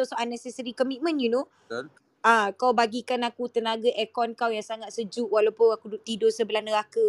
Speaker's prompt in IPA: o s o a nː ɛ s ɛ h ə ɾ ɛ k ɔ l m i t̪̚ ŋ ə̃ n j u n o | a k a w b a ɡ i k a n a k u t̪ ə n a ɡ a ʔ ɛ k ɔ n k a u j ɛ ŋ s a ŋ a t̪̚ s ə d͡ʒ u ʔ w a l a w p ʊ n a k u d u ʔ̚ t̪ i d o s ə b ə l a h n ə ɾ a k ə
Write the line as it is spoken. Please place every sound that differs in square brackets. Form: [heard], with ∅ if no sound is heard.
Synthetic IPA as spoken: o s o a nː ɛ s ɛ [s] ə ɾ [i] k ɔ [∅] m i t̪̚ [m] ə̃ n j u n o | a k a w b a ɡ i k a n a k u t̪ ə n a ɡ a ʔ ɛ k ɔ n k a [w] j [a] ŋ s a ŋ a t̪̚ s ə d͡ʒ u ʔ w a l a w p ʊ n a k u d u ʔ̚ t̪ i d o s ə b ə l a h n ə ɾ a k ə